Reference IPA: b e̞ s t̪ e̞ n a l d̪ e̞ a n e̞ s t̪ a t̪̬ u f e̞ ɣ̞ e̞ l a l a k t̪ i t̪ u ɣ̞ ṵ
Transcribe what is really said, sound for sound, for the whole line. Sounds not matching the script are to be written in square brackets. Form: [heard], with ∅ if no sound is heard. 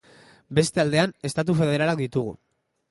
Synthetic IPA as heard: b e̞ s t̪ e̞ [∅] a l d̪ e̞ a n e̞ s t̪ a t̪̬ u f e̞ [ð̞] e̞ [ɾ] a l a k [d̪] i t̪ u ɣ̞ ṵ